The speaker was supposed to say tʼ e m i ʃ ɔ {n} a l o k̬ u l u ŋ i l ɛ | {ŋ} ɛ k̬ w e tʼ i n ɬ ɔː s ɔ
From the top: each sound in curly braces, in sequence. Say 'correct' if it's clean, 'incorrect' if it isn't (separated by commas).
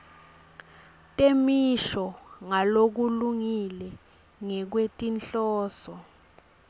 incorrect, correct